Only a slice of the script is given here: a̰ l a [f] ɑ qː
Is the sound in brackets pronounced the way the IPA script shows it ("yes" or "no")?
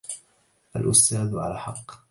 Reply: no